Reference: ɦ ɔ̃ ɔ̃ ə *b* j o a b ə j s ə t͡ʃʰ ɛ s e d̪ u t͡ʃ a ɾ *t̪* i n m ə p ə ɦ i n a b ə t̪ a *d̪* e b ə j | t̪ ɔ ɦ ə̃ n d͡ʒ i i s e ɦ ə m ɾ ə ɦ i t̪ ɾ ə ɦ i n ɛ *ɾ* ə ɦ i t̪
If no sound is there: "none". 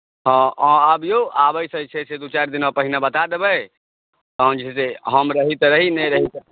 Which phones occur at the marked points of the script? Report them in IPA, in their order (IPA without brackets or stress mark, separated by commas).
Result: b, d̪, d̪, ɾ